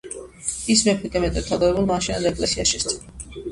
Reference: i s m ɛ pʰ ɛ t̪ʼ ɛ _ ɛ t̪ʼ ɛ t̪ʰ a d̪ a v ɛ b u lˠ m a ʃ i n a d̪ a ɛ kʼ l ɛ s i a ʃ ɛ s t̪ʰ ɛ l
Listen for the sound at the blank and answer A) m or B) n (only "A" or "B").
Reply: A